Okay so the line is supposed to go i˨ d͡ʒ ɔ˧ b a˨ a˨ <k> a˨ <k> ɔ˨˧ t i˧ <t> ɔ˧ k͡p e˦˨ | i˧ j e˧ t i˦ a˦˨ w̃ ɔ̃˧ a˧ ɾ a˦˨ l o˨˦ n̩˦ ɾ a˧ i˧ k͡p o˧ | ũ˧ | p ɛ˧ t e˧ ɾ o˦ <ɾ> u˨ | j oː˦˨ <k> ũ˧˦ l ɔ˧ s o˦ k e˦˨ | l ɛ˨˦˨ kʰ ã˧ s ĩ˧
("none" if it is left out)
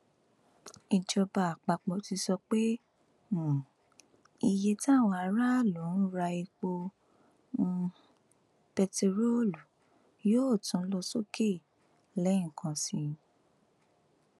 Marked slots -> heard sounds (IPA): k͡p, k͡p, s, l, t

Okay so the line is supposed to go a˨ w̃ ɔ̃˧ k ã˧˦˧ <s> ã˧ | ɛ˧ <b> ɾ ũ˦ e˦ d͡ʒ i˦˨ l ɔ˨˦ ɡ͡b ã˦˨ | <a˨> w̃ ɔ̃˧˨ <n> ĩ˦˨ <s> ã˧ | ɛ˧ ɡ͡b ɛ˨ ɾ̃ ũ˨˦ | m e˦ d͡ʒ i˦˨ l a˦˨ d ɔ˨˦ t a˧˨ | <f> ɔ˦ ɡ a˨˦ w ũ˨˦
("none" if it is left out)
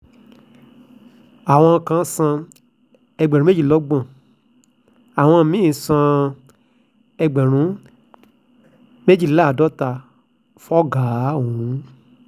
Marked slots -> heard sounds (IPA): s, ɡ͡b, a˨, m, s, f

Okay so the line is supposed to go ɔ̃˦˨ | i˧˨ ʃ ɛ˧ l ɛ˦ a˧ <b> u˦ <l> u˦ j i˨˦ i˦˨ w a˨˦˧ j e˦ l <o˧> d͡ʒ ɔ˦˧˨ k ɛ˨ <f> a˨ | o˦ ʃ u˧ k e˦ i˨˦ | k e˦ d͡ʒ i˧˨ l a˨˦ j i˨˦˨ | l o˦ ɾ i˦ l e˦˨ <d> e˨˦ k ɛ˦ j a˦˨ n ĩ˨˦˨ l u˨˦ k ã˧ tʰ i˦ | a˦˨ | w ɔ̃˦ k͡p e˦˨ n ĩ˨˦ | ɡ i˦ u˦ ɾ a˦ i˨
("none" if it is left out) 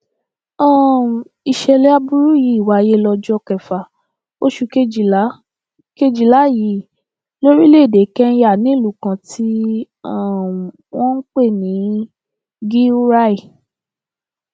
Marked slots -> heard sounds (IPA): b, ɾ, ɔ˧, f, d

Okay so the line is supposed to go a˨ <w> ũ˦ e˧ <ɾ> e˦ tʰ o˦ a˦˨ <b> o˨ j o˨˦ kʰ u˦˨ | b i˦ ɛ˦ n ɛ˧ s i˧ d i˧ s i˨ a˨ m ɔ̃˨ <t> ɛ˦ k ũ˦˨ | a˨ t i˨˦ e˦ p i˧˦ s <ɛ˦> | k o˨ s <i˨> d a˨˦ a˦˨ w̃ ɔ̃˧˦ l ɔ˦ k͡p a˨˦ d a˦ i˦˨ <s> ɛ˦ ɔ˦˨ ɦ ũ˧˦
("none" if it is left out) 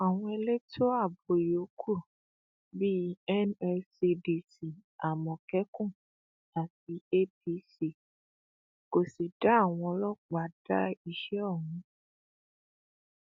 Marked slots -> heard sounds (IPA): w, l, b, k, i˦, i˨, ʃ

